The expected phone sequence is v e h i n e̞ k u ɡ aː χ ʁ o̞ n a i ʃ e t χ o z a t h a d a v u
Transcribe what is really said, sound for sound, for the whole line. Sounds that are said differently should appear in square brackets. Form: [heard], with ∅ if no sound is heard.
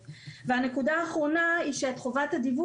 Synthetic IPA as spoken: v e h [a] n e̞ k u [d] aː χ ʁ o̞ n a i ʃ e t χ o [v] a t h a d [i] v u